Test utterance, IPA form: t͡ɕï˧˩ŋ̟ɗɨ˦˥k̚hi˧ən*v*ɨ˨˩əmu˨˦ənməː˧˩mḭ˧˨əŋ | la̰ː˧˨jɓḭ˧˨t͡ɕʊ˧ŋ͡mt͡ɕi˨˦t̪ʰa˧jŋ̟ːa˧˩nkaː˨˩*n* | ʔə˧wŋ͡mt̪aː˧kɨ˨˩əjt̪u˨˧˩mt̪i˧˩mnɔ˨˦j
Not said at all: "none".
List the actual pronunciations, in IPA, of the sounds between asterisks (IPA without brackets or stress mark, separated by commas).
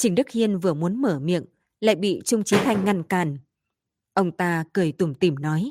v, n